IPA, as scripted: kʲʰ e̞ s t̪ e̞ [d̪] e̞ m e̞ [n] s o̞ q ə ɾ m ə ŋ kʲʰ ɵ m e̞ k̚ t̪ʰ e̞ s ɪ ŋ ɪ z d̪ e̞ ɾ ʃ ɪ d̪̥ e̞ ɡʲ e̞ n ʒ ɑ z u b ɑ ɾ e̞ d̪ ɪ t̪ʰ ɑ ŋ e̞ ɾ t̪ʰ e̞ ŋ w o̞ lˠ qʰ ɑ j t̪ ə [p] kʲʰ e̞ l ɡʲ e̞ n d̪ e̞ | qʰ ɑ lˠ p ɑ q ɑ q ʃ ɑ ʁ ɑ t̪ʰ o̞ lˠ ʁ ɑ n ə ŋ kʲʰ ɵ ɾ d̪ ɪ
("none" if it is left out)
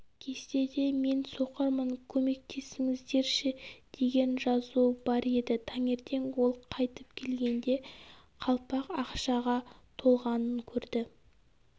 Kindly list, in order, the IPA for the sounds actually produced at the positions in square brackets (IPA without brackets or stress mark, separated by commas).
d̪, n, p